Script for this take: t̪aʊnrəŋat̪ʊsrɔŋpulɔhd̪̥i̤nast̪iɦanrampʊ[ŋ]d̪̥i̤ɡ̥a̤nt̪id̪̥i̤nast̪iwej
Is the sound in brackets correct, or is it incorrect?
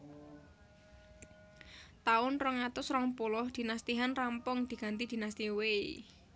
correct